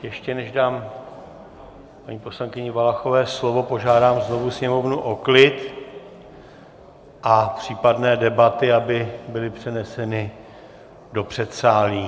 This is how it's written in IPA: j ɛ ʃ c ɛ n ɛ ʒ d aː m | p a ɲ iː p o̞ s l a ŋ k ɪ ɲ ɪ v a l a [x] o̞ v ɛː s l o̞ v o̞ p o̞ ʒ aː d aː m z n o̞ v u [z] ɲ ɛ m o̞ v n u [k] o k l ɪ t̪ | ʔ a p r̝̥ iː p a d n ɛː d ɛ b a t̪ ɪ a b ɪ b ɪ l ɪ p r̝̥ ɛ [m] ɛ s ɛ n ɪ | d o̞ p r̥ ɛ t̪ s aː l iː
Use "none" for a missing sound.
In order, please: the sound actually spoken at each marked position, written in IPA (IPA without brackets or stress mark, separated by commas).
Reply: x, s, ʔ, n